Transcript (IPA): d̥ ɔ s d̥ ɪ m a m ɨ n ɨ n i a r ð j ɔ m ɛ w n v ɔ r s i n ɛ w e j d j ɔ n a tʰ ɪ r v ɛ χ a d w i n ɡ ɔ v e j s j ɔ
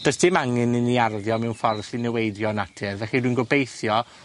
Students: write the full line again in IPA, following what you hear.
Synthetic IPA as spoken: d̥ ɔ s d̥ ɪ m a ŋ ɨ n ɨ n i a r ð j ɔ m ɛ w n f ɔ r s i n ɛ w e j d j ɔ n a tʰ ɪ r v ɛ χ i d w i n ɡ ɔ b e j θ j ɔ